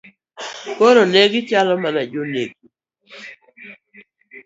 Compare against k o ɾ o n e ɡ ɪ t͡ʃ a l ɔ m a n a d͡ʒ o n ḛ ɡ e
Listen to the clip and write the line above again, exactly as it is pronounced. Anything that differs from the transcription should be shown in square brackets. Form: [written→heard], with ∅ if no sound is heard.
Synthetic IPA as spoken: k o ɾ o n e ɡ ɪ t͡ʃ a l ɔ m a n a d͡ʒ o n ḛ ɡ [e→i]